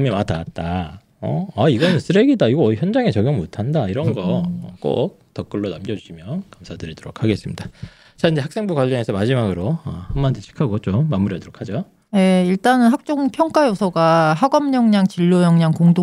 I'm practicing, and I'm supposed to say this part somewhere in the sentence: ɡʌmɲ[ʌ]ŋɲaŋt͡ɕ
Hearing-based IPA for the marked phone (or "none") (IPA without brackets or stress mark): ʌ